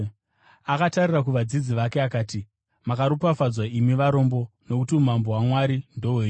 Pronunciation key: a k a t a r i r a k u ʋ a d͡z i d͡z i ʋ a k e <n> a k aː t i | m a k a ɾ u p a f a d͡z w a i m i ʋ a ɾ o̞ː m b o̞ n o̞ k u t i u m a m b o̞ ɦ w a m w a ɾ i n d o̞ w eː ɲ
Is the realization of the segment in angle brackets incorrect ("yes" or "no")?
yes